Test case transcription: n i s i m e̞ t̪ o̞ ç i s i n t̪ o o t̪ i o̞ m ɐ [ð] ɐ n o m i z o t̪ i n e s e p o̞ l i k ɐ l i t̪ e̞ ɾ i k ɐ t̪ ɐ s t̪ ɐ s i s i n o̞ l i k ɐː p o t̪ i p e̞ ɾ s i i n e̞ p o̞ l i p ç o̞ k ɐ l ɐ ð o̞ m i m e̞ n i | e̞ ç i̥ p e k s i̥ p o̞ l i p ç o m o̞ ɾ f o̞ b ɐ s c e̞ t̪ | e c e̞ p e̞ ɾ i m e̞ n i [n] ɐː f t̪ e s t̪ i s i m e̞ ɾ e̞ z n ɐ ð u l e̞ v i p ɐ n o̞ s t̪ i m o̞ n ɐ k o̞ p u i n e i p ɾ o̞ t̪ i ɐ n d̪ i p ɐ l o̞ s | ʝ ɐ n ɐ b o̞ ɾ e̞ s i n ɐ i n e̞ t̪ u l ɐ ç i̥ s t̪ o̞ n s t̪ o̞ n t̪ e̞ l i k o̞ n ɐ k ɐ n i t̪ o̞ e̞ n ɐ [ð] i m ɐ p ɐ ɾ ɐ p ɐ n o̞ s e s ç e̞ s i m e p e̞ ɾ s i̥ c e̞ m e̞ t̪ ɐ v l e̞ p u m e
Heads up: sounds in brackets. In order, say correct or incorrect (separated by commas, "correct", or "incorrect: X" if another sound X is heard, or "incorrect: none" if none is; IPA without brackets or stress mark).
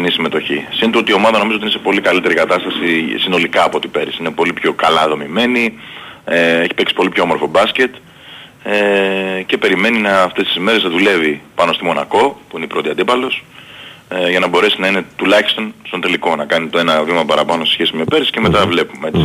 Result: correct, correct, incorrect: v